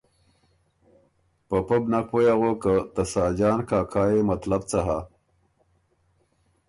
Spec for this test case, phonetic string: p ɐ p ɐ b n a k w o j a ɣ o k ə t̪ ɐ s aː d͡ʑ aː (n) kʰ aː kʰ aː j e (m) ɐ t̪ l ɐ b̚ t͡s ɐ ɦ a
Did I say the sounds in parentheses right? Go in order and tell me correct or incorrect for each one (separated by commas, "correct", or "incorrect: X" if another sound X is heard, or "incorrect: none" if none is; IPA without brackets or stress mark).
correct, correct